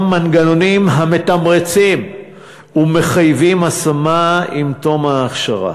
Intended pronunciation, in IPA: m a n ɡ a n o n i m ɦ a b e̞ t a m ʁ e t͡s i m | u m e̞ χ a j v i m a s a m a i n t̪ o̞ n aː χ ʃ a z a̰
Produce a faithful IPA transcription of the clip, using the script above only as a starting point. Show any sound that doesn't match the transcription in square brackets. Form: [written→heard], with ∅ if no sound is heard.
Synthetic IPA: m a n ɡ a n o n i m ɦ a [b→m] e̞ t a m ʁ e t͡s i m | u m e̞ χ a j v i m a s a m a i [n→m] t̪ o̞ [n→m] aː χ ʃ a [z→ʁ] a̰